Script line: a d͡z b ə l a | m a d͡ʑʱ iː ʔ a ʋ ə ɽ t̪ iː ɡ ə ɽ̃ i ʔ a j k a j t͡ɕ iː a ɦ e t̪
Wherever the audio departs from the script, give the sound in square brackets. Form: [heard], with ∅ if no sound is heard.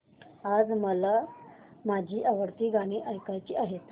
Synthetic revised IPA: a d͡z [m] ə l a | m a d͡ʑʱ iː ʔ a ʋ ə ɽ t̪ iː ɡ [a] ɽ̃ i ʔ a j k a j t͡ɕ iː a ɦ e t̪